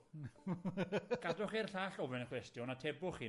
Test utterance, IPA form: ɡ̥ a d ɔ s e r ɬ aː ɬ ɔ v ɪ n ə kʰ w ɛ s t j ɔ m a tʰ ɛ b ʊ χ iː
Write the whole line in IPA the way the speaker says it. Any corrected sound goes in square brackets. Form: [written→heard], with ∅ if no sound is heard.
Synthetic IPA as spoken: ɡ̥ a d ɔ [s→χ] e r ɬ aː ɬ ɔ v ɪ n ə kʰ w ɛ s t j ɔ [m→n] a tʰ ɛ b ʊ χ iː